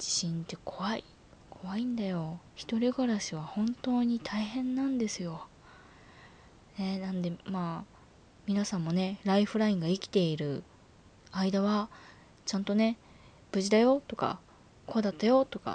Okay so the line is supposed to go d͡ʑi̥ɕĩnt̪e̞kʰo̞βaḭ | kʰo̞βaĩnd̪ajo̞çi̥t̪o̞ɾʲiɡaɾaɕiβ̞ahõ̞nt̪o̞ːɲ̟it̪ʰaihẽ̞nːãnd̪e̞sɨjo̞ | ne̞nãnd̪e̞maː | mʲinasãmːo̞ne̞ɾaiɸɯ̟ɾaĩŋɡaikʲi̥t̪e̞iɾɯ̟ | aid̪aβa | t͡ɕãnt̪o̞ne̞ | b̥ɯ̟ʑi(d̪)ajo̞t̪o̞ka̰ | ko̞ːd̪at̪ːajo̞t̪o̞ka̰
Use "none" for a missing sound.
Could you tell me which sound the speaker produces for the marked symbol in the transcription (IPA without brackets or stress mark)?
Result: d̪